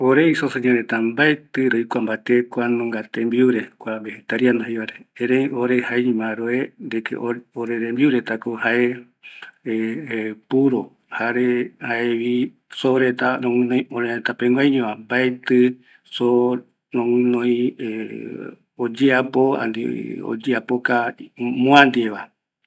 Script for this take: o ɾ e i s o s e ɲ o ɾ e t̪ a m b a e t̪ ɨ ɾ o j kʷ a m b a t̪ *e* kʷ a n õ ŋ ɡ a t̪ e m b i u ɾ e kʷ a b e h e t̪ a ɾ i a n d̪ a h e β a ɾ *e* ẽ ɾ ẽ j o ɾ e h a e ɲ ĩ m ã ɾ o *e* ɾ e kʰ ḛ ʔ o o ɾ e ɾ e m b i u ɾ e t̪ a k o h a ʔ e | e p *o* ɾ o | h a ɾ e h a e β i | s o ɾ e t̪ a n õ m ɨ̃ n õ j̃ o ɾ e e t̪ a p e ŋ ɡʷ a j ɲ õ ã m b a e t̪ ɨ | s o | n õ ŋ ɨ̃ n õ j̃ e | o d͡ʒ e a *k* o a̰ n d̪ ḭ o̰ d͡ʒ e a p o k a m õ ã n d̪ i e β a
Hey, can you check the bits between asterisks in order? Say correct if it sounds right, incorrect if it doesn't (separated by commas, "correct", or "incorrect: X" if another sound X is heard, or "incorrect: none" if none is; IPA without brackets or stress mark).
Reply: correct, correct, correct, incorrect: u, incorrect: p